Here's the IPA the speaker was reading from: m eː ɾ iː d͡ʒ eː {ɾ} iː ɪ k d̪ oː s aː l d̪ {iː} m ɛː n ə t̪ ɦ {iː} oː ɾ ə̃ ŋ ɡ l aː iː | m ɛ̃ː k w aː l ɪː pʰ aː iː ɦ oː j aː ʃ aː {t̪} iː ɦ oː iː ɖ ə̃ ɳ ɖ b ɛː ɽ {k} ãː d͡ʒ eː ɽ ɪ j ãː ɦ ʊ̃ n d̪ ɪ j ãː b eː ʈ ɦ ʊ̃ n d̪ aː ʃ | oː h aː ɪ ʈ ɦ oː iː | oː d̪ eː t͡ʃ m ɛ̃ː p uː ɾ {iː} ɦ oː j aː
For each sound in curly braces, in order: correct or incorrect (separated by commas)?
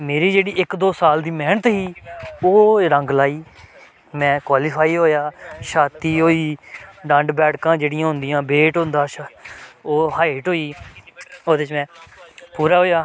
incorrect, correct, correct, correct, correct, incorrect